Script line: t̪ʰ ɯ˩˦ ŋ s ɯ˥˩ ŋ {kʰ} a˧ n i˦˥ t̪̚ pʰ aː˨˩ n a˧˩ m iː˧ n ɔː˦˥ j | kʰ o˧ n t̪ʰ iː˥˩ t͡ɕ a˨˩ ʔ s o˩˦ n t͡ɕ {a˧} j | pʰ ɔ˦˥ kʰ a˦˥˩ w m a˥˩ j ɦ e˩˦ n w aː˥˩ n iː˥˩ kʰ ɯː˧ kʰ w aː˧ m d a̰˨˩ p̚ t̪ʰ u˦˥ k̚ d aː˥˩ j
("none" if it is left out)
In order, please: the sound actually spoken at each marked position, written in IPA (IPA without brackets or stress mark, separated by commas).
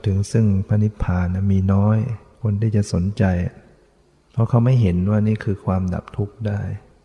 pʰ, a˧